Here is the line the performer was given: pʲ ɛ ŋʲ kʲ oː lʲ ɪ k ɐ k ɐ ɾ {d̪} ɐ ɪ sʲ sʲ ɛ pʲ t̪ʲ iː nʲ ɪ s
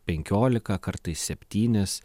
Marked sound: incorrect: t̪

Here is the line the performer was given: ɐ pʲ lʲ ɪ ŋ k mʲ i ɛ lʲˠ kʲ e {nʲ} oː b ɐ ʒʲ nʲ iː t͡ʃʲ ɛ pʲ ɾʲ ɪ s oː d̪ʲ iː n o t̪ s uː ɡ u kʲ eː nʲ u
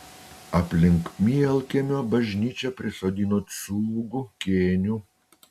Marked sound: incorrect: mʲ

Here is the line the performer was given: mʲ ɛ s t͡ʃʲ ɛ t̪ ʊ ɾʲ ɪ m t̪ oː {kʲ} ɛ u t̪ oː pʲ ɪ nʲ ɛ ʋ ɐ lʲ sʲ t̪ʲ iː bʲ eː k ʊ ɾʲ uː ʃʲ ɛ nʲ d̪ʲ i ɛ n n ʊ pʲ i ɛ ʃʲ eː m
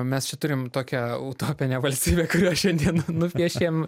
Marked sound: correct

